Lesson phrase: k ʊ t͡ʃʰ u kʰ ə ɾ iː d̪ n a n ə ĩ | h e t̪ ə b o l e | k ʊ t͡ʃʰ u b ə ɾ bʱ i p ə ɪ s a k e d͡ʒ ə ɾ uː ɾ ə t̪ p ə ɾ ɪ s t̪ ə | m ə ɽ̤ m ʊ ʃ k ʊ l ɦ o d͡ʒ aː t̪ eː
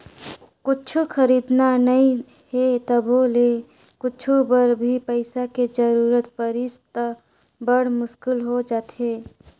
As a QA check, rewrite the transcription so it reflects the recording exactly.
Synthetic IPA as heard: k ʊ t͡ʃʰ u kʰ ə ɾ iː d̪ n a n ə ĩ | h e t̪ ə b o l e | k ʊ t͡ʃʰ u b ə ɾ bʱ i p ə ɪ s a k e d͡ʒ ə ɾ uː ɾ ə t̪ p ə ɾ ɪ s t̪ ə | b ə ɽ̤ m ʊ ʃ k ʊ l ɦ o d͡ʒ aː t̪ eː